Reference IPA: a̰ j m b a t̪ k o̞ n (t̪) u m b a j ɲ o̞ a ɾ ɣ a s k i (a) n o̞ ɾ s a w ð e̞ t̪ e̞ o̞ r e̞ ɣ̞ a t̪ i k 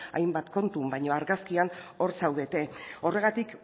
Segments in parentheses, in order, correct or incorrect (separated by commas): correct, correct